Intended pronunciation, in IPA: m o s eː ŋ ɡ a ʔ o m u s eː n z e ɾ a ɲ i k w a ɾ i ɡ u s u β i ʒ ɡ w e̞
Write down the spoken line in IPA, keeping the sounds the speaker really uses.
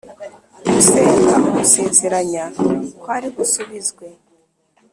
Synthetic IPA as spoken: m u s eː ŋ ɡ a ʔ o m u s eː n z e ɾ a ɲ a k w a ɾ i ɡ u s u β i z ɡ w e̞